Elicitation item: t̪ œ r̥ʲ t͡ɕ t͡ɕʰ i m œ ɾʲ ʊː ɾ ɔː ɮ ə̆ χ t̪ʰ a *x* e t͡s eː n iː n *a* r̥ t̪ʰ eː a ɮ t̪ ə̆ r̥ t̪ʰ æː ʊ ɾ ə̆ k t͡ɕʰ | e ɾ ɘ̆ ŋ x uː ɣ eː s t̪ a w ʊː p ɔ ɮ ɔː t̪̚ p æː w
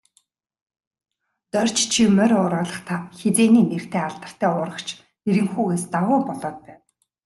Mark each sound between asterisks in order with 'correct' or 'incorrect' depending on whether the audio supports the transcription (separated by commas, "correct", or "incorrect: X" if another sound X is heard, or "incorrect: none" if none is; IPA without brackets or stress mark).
correct, incorrect: e